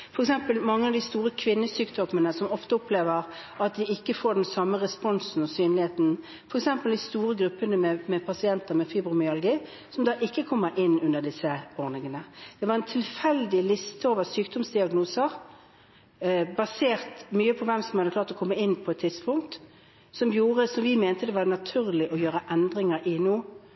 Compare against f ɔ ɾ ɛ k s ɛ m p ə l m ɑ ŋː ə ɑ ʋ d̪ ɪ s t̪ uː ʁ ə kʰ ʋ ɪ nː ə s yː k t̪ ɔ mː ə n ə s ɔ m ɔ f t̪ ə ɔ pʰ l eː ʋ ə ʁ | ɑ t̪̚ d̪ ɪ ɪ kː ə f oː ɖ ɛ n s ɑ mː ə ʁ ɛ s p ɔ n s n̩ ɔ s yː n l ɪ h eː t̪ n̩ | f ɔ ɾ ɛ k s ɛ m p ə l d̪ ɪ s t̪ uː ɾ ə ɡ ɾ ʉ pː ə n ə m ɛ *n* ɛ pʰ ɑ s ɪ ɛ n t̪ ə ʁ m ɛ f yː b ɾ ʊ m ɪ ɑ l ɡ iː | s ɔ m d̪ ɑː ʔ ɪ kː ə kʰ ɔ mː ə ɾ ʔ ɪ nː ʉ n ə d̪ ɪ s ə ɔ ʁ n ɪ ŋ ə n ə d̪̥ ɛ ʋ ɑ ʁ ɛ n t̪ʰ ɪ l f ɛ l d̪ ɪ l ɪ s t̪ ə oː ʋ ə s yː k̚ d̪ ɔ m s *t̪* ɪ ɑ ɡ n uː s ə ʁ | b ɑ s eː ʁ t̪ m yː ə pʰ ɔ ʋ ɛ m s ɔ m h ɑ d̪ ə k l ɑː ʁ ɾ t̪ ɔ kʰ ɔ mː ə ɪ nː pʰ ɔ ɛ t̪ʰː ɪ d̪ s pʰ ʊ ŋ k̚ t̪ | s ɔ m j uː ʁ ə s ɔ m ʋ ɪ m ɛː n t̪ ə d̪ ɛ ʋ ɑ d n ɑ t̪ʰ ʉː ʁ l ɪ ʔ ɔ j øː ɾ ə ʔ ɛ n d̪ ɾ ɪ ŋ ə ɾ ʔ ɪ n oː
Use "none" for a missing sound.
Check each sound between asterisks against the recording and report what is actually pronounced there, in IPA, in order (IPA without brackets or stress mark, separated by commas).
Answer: m, d̪